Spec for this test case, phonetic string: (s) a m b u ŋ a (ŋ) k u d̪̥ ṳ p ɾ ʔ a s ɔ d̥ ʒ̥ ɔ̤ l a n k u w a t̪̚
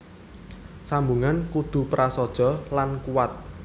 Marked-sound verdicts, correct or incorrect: correct, incorrect

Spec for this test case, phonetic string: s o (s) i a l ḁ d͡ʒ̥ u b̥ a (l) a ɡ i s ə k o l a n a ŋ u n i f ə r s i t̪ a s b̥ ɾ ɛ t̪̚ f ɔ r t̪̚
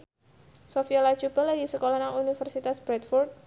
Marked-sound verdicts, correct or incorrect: incorrect, correct

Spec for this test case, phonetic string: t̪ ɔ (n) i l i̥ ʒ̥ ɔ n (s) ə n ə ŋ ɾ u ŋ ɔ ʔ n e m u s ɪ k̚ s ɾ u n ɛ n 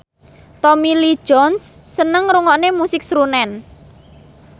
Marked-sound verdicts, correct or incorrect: incorrect, incorrect

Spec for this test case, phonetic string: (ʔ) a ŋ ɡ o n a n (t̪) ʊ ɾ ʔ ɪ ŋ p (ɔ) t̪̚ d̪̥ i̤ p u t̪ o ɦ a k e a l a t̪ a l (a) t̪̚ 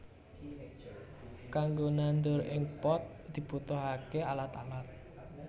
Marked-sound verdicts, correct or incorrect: incorrect, incorrect, correct, correct

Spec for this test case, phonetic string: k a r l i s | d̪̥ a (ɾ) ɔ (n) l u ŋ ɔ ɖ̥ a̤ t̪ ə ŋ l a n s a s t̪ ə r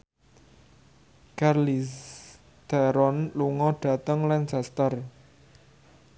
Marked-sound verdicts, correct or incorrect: correct, correct

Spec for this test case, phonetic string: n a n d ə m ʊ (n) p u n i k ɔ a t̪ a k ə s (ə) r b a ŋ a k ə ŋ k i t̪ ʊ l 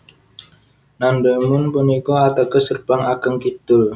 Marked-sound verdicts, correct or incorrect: correct, correct

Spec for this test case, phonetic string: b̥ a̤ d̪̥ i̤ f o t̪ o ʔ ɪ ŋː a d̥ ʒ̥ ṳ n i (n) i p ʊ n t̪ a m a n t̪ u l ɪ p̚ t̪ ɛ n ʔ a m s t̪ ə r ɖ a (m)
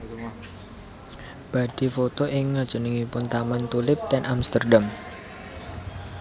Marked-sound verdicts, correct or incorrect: incorrect, correct

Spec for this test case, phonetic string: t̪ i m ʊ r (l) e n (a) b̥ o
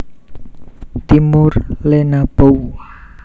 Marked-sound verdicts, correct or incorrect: correct, correct

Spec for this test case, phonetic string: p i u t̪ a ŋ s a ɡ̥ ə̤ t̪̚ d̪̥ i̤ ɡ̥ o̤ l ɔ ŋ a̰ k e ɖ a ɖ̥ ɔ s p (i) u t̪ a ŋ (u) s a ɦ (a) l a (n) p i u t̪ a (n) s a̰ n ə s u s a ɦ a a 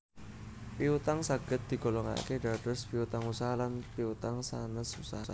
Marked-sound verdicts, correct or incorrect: correct, correct, correct, correct, incorrect

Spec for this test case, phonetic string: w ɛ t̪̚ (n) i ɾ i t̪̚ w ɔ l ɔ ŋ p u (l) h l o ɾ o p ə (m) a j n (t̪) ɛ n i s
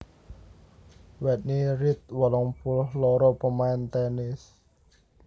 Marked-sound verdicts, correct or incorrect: correct, correct, correct, correct

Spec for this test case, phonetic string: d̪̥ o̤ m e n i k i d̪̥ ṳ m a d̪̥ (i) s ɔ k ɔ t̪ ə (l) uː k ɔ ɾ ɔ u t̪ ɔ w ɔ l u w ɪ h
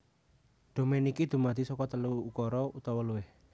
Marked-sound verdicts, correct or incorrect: correct, correct

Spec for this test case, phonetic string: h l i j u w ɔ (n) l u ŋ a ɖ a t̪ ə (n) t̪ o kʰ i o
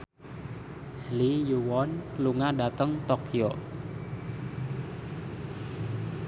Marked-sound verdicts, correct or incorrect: correct, incorrect

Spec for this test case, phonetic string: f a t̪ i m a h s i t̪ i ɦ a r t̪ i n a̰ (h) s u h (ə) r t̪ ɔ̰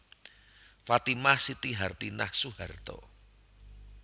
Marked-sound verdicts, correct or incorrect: correct, incorrect

